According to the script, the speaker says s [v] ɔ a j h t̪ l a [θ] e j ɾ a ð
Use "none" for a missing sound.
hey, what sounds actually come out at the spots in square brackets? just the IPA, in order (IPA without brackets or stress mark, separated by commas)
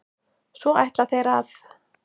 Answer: v, θ